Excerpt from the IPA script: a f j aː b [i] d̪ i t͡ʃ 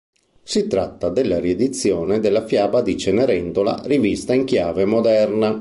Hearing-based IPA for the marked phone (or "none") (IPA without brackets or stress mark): a